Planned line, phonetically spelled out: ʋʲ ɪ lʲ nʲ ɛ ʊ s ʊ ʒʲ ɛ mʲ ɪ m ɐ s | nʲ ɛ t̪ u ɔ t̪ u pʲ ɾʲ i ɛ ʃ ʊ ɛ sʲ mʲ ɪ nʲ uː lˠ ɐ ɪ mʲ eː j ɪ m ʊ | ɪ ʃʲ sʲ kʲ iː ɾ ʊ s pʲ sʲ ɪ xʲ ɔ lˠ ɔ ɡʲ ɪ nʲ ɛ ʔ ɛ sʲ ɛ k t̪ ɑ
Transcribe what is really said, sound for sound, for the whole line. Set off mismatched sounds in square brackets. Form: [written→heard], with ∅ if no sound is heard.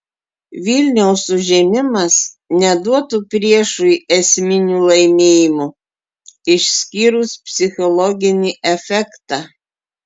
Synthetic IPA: ʋʲ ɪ lʲ nʲ ɛ ʊ s ʊ ʒʲ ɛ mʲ ɪ m ɐ s | nʲ ɛ [t̪→d̪] u ɔ t̪ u pʲ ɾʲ i ɛ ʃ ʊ ɛ sʲ mʲ ɪ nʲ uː lˠ ɐ ɪ mʲ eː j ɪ m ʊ | ɪ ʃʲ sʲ kʲ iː ɾ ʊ s pʲ sʲ ɪ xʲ ɔ lˠ ɔ ɡʲ ɪ nʲ [ɛ→i] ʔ ɛ [sʲ→fʲ] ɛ k t̪ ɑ